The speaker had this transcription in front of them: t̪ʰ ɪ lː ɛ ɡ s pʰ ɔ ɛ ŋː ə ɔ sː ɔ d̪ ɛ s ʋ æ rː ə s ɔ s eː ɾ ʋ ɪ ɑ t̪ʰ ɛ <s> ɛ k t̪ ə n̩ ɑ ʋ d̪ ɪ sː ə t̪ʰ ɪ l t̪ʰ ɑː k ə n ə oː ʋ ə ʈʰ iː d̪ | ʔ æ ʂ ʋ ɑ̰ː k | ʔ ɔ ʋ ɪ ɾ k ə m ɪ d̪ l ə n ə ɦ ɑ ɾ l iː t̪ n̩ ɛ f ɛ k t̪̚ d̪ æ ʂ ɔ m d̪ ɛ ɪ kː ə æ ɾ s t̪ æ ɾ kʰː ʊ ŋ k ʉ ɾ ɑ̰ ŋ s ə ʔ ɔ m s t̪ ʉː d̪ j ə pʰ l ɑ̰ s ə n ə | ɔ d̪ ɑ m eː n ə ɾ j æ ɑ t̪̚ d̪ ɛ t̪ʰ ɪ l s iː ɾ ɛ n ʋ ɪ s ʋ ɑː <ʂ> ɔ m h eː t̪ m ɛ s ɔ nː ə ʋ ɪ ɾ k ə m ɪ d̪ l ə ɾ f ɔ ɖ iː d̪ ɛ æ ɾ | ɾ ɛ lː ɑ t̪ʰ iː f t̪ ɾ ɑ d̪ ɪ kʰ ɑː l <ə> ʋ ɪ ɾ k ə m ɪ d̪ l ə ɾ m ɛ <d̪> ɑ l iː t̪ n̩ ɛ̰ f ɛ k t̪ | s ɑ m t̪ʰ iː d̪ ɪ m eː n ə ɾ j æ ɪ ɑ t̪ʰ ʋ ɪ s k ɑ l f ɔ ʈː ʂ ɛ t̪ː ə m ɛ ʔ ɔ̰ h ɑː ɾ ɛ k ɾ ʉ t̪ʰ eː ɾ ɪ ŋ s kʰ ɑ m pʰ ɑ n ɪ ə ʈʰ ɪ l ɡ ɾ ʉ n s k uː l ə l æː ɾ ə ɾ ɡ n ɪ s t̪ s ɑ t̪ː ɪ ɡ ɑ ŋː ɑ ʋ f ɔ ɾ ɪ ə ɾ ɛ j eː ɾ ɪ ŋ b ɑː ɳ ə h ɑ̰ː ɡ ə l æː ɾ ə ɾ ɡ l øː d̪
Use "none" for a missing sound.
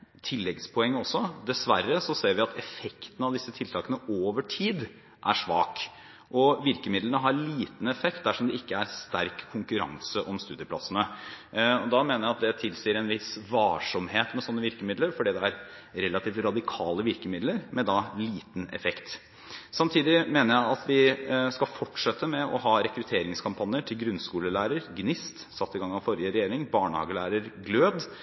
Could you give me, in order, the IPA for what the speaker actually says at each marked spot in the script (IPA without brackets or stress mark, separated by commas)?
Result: f, ʂ, ə, d̪